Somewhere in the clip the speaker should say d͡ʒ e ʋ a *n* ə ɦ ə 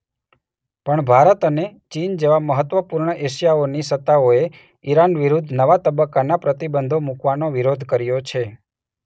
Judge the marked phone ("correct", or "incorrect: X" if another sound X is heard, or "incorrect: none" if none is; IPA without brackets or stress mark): incorrect: m